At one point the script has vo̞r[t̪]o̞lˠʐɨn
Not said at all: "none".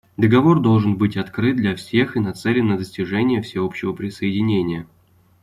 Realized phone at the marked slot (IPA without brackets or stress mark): d̪